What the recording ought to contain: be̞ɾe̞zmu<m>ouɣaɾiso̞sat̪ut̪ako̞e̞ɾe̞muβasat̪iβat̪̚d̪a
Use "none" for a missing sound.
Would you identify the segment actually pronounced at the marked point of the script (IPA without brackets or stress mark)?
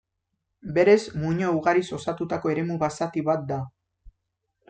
ɲ